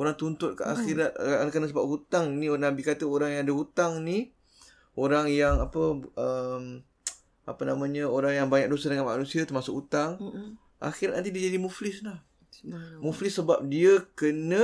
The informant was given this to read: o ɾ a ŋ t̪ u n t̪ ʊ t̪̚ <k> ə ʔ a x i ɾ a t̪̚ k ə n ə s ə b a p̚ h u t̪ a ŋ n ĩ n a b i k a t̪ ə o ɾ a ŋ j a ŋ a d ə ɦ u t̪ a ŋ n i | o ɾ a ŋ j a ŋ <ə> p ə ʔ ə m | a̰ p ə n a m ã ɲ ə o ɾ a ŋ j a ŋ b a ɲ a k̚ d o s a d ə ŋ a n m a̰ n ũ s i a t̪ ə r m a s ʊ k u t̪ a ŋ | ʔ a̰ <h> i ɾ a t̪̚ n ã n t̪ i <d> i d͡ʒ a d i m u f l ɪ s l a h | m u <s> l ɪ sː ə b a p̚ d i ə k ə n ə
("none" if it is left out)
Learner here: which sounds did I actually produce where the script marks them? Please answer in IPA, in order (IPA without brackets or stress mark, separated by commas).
k, a, x, d, f